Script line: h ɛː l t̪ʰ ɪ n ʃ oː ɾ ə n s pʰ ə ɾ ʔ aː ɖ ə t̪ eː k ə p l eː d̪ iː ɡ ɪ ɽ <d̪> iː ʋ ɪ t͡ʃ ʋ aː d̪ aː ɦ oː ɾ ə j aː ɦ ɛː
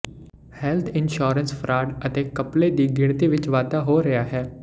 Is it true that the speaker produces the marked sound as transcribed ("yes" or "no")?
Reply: no